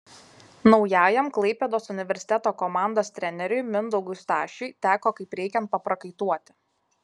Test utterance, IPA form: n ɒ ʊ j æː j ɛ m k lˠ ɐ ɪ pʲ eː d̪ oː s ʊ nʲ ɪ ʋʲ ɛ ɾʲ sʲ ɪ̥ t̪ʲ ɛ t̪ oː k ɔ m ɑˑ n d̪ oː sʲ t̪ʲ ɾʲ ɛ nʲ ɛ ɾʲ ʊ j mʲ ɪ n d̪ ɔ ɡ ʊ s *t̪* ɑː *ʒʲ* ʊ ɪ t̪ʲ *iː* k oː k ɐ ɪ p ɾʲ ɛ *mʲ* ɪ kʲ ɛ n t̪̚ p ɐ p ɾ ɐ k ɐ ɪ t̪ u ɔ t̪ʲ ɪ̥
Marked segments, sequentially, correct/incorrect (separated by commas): correct, incorrect, incorrect, incorrect